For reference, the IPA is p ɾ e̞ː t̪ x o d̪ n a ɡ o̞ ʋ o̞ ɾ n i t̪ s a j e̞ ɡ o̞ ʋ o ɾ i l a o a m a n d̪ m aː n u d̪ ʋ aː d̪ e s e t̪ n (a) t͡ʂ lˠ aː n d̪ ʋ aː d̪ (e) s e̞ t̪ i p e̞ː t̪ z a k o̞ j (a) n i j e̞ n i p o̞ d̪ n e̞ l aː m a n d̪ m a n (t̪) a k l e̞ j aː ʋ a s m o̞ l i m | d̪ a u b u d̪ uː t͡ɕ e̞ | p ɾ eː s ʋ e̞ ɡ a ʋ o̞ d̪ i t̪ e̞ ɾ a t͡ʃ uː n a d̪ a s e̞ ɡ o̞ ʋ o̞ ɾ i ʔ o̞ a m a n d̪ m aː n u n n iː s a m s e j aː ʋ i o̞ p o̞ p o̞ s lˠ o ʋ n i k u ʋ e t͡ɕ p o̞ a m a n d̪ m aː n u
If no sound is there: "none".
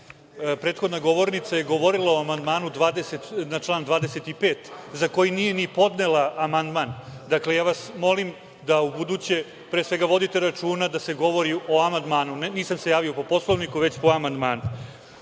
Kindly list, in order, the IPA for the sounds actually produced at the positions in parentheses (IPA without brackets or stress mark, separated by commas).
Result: a, e, i, d̪